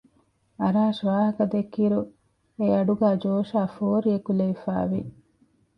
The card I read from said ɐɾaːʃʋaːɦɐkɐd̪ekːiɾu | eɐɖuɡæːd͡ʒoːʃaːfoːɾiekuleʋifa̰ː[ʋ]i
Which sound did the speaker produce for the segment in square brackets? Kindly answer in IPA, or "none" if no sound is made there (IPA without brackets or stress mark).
ʋ